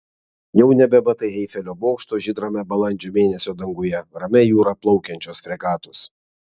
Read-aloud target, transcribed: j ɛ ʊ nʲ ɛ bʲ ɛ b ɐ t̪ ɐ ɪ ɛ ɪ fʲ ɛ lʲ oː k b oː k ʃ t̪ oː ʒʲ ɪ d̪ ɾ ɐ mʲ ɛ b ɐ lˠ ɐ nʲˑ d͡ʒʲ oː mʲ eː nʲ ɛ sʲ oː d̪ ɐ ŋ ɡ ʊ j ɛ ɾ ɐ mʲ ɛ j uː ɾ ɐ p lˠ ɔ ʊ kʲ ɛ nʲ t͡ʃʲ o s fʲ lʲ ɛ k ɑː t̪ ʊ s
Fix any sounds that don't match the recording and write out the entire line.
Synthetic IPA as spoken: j ɛ ʊ nʲ ɛ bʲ ɛ b ɐ t̪ ɐ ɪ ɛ ɪ fʲ ɛ lʲ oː b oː k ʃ t̪ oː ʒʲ ɪ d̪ ɾ ɐ mʲ ɛ b ɐ lˠ ɐ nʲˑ d͡ʒʲ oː mʲ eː nʲ ɛ sʲ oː d̪ ɐ ŋ ɡ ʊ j ɛ ɾ ɐ mʲ ɛ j uː ɾ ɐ p lˠ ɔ ʊ kʲ ɛ nʲ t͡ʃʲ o s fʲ ɾʲ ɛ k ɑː t̪ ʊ s